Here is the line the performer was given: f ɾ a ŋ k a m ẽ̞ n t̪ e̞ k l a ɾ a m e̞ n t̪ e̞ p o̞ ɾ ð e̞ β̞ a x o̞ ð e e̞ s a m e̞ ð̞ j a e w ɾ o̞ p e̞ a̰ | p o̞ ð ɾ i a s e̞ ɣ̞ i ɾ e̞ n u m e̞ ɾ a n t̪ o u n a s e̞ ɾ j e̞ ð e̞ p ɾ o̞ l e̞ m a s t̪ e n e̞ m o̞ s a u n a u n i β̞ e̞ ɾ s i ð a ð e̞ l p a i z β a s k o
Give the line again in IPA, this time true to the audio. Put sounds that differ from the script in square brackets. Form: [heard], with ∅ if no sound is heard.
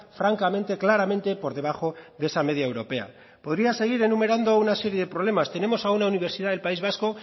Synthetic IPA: f ɾ a ŋ k a m ẽ̞ n t̪ e̞ k l a ɾ a m e̞ n t̪ e̞ p o̞ ɾ ð e̞ β̞ a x o̞ ð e e̞ s a m e̞ ð̞ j a e w ɾ o̞ p e̞ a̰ | p o̞ ð ɾ i a s e̞ ɣ̞ i ɾ e̞ n u m e̞ ɾ a n [d̪] o u n a s e̞ ɾ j e̞ ð e̞ p ɾ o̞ l e̞ m a s t̪ e n e̞ m o̞ s a u n a u n i β̞ e̞ ɾ s i ð a ð e̞ l p a i z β a s k o